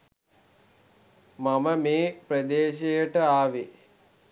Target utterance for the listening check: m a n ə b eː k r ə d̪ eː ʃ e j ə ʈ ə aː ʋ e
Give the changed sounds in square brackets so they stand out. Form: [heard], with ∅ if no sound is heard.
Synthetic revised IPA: m a [m] ə [m] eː [p] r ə d̪ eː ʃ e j ə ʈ ə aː ʋ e